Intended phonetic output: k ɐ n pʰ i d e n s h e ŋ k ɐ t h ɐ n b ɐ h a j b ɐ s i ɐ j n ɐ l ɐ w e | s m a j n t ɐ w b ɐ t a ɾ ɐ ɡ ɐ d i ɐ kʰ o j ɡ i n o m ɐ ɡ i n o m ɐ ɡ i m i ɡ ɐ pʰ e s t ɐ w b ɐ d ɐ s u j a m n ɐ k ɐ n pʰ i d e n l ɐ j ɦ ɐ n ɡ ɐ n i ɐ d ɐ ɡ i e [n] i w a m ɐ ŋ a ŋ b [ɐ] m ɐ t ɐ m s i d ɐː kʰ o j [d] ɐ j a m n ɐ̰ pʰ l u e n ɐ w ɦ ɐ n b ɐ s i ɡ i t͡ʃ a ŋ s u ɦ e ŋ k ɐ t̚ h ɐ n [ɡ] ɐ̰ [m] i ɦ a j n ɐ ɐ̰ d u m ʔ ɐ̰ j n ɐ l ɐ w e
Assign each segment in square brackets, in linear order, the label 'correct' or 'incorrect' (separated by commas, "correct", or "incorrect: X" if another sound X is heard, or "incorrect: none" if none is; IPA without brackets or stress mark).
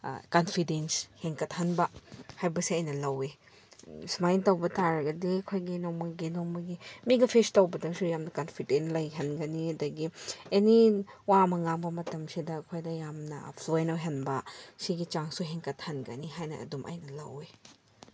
correct, correct, correct, correct, incorrect: n